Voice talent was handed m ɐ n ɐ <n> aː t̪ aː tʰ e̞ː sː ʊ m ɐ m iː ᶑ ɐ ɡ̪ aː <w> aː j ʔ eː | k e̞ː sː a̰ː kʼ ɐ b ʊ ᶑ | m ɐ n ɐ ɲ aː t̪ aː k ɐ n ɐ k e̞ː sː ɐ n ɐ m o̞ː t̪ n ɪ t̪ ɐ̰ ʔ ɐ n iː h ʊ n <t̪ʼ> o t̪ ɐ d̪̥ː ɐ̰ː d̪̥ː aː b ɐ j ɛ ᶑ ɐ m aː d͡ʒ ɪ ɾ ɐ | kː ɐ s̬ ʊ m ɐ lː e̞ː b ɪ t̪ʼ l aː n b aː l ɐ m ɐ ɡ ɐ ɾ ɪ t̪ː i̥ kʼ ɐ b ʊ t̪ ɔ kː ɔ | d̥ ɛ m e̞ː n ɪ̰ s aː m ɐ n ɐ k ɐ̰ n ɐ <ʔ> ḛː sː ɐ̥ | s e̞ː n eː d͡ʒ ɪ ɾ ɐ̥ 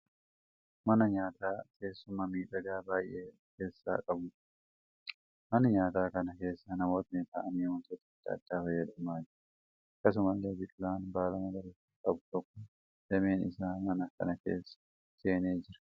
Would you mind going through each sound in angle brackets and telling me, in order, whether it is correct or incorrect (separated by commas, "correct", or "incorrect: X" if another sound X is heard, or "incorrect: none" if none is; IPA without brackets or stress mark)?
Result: incorrect: ɲ, incorrect: b, incorrect: t̪, incorrect: k